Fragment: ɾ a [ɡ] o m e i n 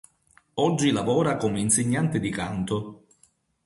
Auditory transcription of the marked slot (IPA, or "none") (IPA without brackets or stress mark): k